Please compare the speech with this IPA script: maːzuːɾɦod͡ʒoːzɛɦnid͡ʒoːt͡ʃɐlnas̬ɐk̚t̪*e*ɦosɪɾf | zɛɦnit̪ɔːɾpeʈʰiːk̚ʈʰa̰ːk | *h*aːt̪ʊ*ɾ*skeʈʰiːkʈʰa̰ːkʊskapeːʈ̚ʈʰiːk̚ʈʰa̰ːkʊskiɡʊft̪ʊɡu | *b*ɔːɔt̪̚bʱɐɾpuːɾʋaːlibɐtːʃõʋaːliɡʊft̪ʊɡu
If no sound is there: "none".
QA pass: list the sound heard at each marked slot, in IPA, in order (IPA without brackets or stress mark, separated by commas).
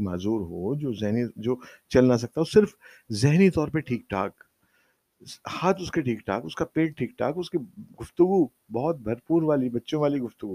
a, h, none, b